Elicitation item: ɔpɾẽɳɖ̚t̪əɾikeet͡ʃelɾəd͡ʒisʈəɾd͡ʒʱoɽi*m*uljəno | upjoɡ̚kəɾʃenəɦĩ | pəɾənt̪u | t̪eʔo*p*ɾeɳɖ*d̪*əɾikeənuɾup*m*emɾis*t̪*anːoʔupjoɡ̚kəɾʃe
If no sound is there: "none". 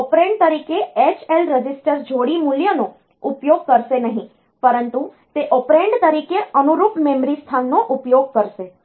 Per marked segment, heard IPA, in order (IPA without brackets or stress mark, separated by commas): m, p, t̪, m, t̪ʰ